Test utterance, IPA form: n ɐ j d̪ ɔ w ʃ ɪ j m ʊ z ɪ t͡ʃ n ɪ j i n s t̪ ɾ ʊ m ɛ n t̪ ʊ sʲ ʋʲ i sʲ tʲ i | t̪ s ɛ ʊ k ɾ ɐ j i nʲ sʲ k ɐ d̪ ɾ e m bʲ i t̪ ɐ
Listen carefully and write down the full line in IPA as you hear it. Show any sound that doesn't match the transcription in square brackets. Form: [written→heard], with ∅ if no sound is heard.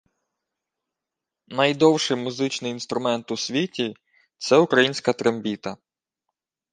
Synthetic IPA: n ɐ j d̪ ɔ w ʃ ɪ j m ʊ z ɪ t͡ʃ n ɪ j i n s t̪ ɾ ʊ m ɛ n t̪ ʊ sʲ ʋʲ i [sʲ→∅] tʲ i | t̪ s ɛ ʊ k ɾ ɐ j i nʲ sʲ k ɐ [d̪→t̪] ɾ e m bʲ i t̪ ɐ